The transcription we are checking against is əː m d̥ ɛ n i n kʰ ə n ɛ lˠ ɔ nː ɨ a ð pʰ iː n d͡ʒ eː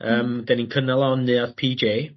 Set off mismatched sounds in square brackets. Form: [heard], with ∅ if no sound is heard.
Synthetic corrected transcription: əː m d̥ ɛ n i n kʰ ə n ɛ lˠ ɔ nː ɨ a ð pʰ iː [∅] d͡ʒ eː